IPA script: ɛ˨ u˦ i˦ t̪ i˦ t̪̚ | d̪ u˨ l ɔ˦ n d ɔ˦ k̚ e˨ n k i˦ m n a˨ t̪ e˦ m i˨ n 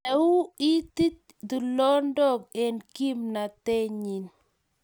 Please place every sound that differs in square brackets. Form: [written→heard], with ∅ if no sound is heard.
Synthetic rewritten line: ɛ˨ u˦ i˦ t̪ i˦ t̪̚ | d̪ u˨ l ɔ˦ n d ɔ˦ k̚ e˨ n k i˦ m n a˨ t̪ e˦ [m→ɲ] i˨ n